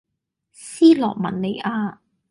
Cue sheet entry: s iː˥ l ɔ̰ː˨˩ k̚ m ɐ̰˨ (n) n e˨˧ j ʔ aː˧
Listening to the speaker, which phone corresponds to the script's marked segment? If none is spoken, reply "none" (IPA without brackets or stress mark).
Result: n